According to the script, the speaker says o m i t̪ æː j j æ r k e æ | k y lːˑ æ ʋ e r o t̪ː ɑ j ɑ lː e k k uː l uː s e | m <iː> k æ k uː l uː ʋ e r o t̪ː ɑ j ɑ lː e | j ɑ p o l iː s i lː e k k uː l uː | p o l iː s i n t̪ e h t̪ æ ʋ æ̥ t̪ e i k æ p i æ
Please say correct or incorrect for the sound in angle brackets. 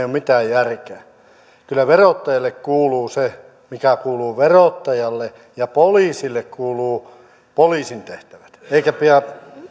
incorrect